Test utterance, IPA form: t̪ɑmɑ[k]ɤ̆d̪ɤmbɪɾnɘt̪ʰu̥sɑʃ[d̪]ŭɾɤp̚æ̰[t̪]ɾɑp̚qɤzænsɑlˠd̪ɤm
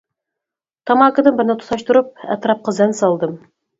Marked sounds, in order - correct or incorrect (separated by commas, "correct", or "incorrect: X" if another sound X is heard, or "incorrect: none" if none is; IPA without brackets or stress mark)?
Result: correct, incorrect: t̪, correct